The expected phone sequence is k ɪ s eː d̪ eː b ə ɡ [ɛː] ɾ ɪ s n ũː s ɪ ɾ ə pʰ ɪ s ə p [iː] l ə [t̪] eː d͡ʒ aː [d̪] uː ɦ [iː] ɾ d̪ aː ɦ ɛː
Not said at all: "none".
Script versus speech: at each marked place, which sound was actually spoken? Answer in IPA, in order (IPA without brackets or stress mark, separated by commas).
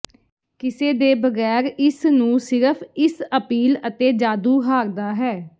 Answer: ɛː, iː, t̪, d̪, aː